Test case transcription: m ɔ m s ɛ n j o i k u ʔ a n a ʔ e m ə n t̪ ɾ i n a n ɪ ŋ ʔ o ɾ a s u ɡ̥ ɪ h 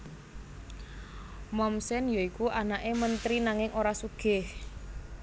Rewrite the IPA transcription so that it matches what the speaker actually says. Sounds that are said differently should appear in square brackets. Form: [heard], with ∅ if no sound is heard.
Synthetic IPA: m ɔ m s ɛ n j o i k u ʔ a n a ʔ e m ə n t̪ ɾ i n a [ŋ] ɪ ŋ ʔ o ɾ a s u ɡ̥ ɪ h